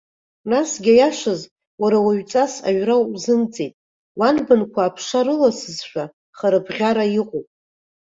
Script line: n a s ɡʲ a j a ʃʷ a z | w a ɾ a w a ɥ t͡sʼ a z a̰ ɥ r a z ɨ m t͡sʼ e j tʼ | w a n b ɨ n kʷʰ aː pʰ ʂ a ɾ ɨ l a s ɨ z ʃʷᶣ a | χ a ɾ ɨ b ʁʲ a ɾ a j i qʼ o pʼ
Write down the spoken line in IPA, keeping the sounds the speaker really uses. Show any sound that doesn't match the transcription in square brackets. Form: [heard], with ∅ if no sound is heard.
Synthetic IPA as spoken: n a s ɡʲ a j a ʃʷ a z | w a ɾ a w a ɥ t͡sʼ a [s] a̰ ɥ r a z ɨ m t͡sʼ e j tʼ | w a n b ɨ n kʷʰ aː pʰ ʂ a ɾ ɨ l a s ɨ z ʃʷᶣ a | χ a ɾ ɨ b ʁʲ a ɾ a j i qʼ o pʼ